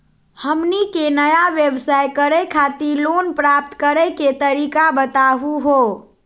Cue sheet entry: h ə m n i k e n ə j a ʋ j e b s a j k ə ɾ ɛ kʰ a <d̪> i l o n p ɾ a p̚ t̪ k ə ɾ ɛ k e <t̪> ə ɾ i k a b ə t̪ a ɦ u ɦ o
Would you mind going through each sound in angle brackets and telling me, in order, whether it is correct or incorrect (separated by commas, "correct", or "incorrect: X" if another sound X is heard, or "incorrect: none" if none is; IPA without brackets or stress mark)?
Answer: incorrect: t̪, correct